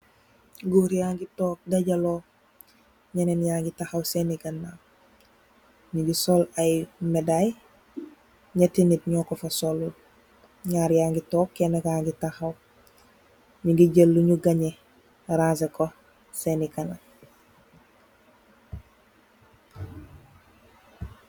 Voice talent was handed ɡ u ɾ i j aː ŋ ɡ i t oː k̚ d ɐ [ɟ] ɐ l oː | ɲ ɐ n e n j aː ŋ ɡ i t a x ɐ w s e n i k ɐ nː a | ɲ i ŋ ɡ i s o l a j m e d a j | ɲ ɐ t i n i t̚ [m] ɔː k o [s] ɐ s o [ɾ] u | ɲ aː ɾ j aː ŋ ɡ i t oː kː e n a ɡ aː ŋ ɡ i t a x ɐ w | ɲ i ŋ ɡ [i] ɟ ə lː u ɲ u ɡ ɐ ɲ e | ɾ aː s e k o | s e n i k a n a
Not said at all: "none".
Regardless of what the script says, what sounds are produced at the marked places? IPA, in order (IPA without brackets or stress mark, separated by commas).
ɟ, ɲ, f, l, i